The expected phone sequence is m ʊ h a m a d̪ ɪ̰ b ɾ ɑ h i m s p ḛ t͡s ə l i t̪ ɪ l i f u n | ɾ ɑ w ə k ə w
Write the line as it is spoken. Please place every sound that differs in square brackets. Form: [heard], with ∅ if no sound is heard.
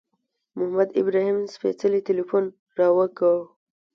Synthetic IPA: m ʊ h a m a d̪ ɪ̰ b ɾ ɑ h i m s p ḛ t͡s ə l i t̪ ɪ l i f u n | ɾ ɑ w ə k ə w